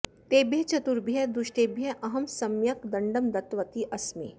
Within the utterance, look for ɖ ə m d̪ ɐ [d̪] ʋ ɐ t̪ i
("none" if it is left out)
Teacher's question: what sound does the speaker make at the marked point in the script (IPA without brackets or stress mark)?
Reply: t̪